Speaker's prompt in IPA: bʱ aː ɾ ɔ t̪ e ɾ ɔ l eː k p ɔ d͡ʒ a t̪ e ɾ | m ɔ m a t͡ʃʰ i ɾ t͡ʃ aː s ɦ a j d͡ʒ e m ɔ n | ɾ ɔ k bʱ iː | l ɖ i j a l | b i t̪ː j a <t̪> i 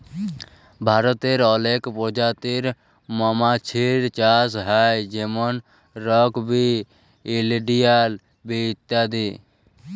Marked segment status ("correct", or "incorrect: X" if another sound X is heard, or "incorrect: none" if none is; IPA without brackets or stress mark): incorrect: d̪